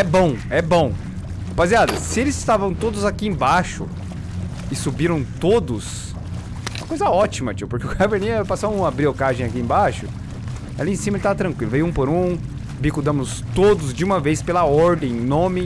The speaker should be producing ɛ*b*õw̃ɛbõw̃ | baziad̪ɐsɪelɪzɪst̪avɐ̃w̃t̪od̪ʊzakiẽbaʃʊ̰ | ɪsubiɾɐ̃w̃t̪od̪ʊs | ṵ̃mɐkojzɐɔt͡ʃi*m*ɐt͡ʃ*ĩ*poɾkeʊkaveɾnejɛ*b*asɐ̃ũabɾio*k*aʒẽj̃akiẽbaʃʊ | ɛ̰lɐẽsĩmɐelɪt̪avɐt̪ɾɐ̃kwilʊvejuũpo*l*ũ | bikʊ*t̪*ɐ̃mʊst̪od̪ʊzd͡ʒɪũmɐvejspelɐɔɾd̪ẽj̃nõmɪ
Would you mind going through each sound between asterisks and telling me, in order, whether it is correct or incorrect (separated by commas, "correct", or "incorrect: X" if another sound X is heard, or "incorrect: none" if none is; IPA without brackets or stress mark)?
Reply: correct, correct, incorrect: i, incorrect: p, correct, incorrect: ɾ, incorrect: d̪